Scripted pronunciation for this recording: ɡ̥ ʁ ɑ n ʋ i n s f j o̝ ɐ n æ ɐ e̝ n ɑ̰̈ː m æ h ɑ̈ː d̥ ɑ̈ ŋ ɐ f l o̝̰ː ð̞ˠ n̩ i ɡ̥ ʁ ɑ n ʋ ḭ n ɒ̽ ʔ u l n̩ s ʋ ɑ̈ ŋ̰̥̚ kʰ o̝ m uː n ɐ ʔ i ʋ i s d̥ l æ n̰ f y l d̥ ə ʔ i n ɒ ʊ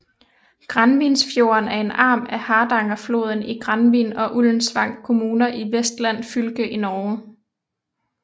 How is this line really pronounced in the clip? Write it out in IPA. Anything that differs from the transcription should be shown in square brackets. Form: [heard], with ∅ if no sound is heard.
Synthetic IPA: ɡ̥ ʁ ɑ n ʋ i n s f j o̝ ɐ n æ ɐ e̝ n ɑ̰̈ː m æ h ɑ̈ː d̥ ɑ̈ ŋ ɐ f l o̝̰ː ð̞ˠ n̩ i ɡ̥ ʁ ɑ n ʋ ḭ n ɒ̽ ʔ u l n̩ s ʋ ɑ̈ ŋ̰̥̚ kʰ o̝ m uː n ɐ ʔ i ʋ [e] s d̥ l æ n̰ f y l [ɡ̥] ə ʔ i n ɒ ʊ